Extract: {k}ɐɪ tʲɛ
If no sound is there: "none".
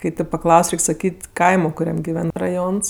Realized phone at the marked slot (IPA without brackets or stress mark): k